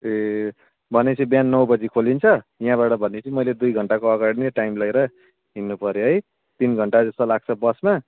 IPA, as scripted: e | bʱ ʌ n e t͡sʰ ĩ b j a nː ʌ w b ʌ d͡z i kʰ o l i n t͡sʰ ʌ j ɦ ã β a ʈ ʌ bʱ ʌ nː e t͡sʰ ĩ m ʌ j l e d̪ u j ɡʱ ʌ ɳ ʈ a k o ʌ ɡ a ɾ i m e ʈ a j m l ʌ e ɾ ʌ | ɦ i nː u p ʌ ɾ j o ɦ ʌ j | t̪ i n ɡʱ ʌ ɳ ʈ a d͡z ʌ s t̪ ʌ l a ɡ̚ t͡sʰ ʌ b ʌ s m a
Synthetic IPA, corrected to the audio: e | bʱ ʌ n e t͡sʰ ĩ b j a nː ʌ w b ʌ d͡z i kʰ o l i n t͡sʰ ʌ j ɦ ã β a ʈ ʌ bʱ ʌ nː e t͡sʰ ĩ m ʌ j l e d̪ u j ɡʱ ʌ ɳ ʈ a k o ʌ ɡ a ɽ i n e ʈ a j m l ʌ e ɾ ʌ | ɦ i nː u p ʌ ɾ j o ɦ ʌ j | t̪ i n ɡʱ ʌ ɳ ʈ a d͡z ʌ s t̪ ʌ l a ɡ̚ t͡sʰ ʌ b ʌ s m a